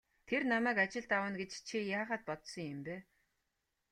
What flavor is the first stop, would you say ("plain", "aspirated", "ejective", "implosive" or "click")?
aspirated